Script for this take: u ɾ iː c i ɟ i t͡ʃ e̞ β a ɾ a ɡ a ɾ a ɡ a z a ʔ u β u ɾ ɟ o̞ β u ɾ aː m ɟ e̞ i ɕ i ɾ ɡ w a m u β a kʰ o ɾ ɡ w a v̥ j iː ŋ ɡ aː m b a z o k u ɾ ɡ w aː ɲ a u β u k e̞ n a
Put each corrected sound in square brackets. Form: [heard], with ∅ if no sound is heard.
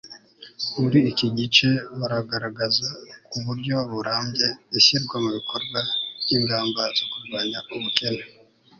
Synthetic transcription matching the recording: u ɾ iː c i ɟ i t͡ʃ e̞ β a ɾ a ɡ a ɾ a ɡ a z a [k] u β u ɾ ɟ o̞ β u ɾ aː m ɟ e̞ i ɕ i ɾ ɡ w a m u β [i] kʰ o ɾ ɡ w a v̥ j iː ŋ ɡ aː m b a z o k u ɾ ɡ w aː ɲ a u β u k e̞ n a